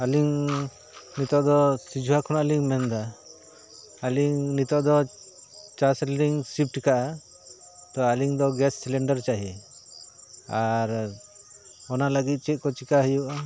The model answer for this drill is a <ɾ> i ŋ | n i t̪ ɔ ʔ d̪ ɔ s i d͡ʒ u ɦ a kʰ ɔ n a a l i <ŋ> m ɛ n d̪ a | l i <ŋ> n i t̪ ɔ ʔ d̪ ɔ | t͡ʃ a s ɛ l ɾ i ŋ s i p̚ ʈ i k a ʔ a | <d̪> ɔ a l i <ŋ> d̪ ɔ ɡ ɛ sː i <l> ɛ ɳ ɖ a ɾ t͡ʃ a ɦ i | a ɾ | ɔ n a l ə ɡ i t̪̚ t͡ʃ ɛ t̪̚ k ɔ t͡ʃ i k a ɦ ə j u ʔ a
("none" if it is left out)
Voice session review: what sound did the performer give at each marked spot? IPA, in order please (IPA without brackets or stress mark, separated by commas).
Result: l, ŋ, ŋ, t̪, ŋ, l